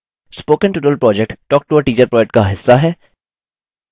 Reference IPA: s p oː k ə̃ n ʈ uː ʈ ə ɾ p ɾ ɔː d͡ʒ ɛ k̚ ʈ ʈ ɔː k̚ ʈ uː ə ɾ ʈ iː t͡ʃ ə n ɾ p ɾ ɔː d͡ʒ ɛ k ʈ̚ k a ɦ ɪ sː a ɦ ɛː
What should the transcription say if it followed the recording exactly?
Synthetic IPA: s p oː k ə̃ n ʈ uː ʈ ə l p ɾ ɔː d͡ʒ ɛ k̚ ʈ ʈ ɔː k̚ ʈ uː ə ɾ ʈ iː t͡ʃ ə ɾ p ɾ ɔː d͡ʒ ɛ k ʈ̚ k a ɦ ɪ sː a ɦ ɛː